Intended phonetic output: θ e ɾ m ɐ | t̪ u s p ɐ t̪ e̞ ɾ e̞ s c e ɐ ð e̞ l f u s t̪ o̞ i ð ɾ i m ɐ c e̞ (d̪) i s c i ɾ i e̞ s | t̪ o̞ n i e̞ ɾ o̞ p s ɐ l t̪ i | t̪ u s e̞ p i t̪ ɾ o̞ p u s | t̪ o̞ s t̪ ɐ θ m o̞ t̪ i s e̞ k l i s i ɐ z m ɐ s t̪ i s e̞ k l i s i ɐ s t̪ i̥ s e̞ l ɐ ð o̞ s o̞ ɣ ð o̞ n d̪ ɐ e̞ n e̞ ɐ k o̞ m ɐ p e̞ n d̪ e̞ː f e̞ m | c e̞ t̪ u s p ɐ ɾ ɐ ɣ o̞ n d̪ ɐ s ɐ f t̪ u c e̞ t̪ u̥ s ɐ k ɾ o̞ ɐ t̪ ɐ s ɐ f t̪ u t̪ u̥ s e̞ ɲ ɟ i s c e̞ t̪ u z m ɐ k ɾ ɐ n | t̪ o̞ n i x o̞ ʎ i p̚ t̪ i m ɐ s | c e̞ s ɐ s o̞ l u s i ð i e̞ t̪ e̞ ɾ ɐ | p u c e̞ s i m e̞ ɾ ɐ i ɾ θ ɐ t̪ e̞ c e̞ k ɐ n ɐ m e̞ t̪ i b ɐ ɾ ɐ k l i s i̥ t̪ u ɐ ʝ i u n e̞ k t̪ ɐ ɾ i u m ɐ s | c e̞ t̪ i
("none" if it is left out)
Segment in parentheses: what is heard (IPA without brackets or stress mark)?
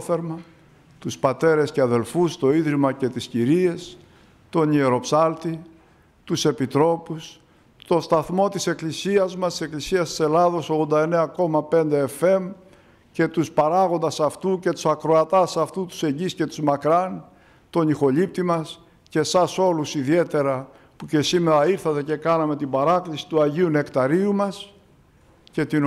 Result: t̪